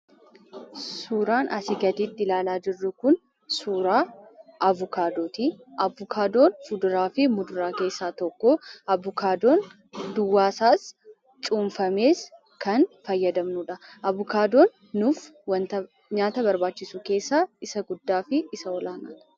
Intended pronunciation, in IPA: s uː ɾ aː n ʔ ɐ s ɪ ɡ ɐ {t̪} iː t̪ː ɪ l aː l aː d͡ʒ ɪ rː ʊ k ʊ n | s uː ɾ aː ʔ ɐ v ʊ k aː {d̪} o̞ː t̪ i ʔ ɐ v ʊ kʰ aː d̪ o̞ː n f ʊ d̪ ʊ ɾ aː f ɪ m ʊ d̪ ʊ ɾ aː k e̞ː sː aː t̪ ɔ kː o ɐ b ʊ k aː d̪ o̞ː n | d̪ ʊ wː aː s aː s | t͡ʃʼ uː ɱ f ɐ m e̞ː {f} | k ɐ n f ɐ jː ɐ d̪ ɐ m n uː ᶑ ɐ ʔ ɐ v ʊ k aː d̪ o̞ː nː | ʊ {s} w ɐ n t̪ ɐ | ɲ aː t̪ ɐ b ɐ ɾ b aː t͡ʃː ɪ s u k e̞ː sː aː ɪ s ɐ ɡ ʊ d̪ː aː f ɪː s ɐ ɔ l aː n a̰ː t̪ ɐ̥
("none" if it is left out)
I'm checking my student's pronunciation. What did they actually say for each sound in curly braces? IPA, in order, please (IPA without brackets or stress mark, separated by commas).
d̪, d̪, s, f